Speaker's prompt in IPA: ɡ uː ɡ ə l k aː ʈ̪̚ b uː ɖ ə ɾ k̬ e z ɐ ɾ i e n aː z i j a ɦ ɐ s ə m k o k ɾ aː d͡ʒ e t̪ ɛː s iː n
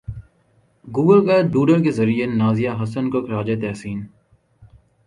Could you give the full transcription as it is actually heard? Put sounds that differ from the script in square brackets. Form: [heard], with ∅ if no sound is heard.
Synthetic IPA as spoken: ɡ uː ɡ ə l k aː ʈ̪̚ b uː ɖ ə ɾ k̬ e z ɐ ɾ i e n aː z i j a ɦ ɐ s ə [n] k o k ɾ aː d͡ʒ e t̪ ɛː s iː n